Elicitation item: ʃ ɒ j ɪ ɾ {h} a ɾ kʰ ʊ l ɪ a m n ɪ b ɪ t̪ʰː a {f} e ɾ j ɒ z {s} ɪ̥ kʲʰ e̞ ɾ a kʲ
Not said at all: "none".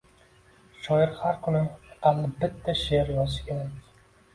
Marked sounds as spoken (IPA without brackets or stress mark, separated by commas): h, ʃ, ʃ